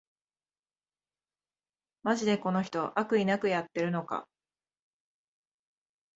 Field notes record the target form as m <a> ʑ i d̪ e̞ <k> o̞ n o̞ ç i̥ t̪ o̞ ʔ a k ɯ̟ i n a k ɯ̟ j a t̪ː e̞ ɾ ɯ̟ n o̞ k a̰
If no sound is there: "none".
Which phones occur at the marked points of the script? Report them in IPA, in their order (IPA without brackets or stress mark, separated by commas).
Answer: a, k